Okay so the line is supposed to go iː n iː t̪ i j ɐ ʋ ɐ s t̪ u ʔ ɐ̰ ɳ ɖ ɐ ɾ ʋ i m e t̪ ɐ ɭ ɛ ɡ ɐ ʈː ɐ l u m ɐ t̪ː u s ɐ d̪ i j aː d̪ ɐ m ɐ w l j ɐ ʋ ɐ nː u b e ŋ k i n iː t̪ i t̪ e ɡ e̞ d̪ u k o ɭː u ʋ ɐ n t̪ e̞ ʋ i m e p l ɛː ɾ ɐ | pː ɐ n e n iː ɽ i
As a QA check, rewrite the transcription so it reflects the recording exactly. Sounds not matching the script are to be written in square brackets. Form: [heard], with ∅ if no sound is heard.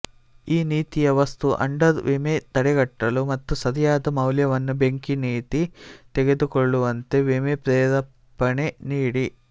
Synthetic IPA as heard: iː n iː t̪ i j ɐ ʋ ɐ s t̪ u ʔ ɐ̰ ɳ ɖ ɐ ɾ ʋ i m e t̪ ɐ [ɽ] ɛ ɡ ɐ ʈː ɐ l u m ɐ t̪ː u s ɐ d̪ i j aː d̪ ɐ m ɐ w l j ɐ ʋ ɐ nː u b e ŋ k i n iː t̪ i t̪ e ɡ e̞ d̪ u k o ɭː u ʋ ɐ n t̪ e̞ ʋ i m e p [ɾ] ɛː ɾ ɐ | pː ɐ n e n iː ɽ i

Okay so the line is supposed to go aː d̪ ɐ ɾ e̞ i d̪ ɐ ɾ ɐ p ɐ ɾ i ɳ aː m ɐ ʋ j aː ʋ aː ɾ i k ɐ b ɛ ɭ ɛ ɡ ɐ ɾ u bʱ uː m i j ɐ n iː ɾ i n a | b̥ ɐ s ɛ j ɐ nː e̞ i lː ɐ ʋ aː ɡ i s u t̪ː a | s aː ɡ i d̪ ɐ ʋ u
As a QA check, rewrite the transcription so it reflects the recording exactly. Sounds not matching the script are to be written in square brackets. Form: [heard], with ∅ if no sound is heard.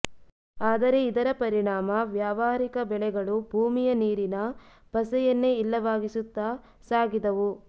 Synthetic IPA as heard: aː d̪ ɐ ɾ e̞ i d̪ ɐ ɾ ɐ p ɐ ɾ i ɳ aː m ɐ ʋ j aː ʋ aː ɾ i k ɐ b ɛ ɭ ɛ ɡ ɐ [ɭ] u bʱ uː m i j ɐ n iː ɾ i n [ɐ] | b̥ ɐ s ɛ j ɐ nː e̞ i lː ɐ ʋ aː ɡ i s u t̪ː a | s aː ɡ i d̪ ɐ ʋ u

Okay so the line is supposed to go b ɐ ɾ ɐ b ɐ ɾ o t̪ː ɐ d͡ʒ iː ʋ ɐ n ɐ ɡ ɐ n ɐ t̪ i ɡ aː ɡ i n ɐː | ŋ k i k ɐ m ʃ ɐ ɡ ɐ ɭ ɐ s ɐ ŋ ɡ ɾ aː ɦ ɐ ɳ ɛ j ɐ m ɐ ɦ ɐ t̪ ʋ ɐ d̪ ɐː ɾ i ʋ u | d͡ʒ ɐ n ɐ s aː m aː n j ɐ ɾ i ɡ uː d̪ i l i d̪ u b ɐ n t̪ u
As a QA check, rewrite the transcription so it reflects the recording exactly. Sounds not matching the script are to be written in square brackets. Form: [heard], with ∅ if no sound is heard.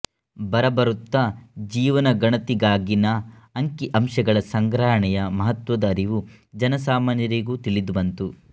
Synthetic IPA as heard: b ɐ ɾ ɐ b ɐ ɾ [u] t̪ː ɐ d͡ʒ iː ʋ ɐ n ɐ ɡ ɐ [ɳ] ɐ t̪ i ɡ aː ɡ i n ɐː | ŋ k i [ʔ] ɐ m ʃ ɐ ɡ ɐ ɭ ɐ s ɐ ŋ ɡ ɾ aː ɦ ɐ ɳ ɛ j ɐ m ɐ ɦ ɐ t̪ ʋ ɐ d̪ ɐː ɾ i ʋ u | d͡ʒ ɐ n ɐ s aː m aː n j ɐ ɾ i ɡ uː [t̪] i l i d̪ u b ɐ n t̪ u

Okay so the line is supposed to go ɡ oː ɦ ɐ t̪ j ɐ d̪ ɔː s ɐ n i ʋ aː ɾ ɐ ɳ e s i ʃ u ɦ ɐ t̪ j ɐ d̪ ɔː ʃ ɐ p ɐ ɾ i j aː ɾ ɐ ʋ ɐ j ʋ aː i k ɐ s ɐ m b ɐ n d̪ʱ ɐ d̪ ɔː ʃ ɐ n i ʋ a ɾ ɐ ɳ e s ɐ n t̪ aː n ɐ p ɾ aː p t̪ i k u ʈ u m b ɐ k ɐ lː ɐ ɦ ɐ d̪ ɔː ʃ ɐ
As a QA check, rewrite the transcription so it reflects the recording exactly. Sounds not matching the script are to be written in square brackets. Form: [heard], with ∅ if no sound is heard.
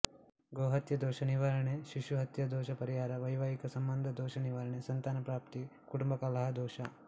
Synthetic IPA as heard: ɡ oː ɦ ɐ t̪ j ɐ d̪ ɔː [ʃ] ɐ n i ʋ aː ɾ ɐ ɳ e [ʃ] i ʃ u ɦ ɐ t̪ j ɐ d̪ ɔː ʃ ɐ p ɐ ɾ i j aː ɾ ɐ ʋ ɐ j ʋ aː i k ɐ s ɐ m b ɐ n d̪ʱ ɐ d̪ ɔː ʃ ɐ n i ʋ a ɾ ɐ ɳ e s ɐ n t̪ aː n ɐ p ɾ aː p t̪ i k u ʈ u m b ɐ k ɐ [l] ɐ ɦ ɐ d̪ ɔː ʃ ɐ

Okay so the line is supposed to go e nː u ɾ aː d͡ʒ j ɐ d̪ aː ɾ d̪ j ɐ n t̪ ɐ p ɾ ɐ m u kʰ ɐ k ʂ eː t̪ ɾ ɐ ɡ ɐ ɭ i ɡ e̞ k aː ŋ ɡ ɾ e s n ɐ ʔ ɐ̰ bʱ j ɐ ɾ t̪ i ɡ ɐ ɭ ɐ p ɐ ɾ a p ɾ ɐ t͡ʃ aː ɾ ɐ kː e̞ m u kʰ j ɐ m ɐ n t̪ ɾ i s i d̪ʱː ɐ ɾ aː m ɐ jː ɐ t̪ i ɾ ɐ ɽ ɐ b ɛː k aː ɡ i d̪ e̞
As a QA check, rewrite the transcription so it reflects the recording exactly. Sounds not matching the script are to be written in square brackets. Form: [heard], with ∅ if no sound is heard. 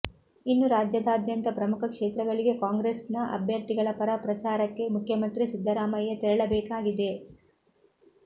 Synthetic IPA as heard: [i] nː u ɾ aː d͡ʒ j ɐ d̪ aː [∅] d̪ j ɐ n t̪ ɐ p ɾ ɐ m u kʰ ɐ k ʂ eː t̪ ɾ ɐ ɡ ɐ ɭ i ɡ e̞ k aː ŋ ɡ ɾ e s n ɐ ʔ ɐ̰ bʱ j ɐ ɾ t̪ i ɡ ɐ ɭ ɐ p ɐ ɾ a p ɾ ɐ t͡ʃ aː ɾ ɐ kː e̞ m u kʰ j ɐ m ɐ n t̪ ɾ i s i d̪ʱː ɐ ɾ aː m ɐ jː ɐ t̪ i ɾ ɐ [ɭ] ɐ b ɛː k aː ɡ i d̪ e̞

